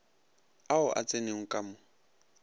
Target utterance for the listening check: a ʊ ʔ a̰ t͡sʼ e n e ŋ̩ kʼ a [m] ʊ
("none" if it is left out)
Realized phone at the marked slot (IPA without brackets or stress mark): m